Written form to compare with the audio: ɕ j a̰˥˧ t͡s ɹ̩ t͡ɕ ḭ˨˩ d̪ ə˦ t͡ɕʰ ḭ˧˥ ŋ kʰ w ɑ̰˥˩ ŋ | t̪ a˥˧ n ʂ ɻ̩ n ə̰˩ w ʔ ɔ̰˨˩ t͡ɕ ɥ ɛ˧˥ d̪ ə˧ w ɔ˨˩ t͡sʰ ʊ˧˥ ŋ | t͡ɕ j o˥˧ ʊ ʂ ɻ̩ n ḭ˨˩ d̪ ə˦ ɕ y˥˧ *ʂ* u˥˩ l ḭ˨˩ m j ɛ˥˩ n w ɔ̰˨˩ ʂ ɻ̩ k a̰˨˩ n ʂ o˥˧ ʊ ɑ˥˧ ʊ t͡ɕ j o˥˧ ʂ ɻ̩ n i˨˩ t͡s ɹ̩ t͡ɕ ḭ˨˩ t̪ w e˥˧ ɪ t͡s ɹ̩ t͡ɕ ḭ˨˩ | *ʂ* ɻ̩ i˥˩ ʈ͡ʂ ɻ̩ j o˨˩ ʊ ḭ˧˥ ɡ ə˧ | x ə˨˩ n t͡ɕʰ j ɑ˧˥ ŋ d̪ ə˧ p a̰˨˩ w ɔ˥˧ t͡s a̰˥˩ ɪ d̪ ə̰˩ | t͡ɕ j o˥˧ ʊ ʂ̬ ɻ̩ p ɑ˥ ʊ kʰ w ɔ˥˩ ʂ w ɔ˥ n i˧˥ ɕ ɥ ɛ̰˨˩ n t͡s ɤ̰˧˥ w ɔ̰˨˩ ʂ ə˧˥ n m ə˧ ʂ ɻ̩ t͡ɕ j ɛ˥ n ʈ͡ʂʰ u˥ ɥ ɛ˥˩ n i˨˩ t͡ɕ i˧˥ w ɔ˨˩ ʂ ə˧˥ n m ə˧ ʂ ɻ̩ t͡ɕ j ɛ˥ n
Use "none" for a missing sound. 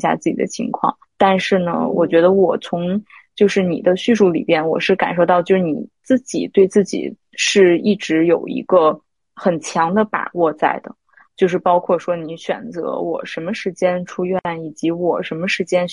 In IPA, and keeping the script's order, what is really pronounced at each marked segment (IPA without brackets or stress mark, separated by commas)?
ʂ, ʂ